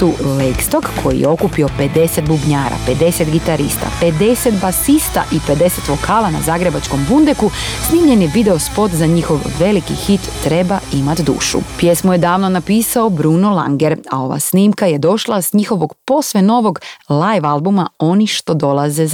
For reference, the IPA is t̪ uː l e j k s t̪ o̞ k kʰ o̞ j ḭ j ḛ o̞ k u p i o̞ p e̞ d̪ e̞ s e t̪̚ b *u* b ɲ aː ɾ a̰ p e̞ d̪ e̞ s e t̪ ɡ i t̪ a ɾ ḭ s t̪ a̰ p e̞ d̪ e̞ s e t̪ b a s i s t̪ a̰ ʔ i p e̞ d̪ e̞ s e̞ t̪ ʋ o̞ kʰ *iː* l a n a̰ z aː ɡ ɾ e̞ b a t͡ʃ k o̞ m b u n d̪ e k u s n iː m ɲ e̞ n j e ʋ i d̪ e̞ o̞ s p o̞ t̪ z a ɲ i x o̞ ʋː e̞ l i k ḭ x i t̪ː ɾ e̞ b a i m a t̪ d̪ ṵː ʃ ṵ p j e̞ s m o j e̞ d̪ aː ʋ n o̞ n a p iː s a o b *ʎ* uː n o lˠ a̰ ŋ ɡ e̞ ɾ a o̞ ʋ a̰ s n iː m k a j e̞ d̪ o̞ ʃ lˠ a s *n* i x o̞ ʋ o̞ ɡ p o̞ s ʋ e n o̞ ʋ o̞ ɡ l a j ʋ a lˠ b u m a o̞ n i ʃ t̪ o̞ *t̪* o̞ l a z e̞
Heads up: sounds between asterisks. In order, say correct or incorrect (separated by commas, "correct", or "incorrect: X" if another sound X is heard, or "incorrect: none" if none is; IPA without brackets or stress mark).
correct, incorrect: aː, incorrect: ɾ, incorrect: ɲ, incorrect: d̪